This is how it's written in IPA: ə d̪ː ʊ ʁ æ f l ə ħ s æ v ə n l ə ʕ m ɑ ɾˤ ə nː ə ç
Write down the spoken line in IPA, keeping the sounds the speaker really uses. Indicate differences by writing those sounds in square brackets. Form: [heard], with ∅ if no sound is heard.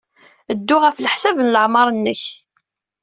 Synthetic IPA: ə d̪ː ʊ ʁ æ f l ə ħ s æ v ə n l ə ʕ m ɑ ɾˤ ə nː ə ç